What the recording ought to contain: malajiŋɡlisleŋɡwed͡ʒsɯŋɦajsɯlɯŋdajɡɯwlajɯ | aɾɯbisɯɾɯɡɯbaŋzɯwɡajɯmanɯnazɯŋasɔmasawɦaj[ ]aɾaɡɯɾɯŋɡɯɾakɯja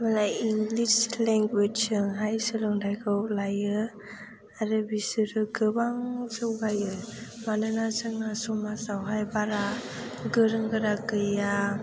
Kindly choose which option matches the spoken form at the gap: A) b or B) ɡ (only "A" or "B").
A